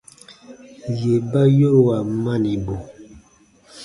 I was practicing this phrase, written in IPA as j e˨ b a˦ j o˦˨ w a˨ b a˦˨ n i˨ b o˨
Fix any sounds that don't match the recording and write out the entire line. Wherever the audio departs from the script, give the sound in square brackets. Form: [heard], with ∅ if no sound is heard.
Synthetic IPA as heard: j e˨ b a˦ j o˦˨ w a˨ [m] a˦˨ n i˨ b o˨